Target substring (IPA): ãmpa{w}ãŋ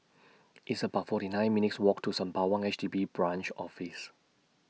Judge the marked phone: correct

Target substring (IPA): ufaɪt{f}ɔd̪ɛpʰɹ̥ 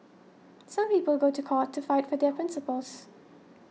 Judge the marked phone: correct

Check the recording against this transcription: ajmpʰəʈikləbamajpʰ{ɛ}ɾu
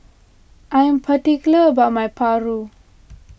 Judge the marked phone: incorrect: a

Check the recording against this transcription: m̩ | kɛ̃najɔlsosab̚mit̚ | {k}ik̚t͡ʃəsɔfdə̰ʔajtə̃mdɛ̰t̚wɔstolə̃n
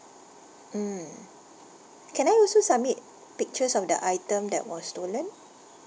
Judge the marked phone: incorrect: p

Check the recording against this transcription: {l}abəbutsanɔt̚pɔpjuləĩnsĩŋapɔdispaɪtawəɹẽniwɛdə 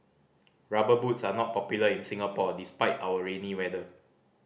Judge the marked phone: incorrect: ɹ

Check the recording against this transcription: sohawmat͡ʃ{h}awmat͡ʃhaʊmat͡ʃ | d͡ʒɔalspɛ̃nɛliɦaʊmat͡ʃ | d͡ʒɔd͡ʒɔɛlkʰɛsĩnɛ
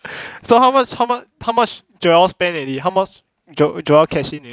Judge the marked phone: correct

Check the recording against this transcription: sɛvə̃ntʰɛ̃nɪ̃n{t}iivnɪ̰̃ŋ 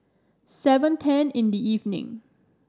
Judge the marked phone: incorrect: d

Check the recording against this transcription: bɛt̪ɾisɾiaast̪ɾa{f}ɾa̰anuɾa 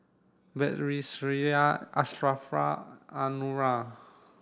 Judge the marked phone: correct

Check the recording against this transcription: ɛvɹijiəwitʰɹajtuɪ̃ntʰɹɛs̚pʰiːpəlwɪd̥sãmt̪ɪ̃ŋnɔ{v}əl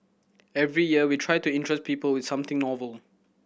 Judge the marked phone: correct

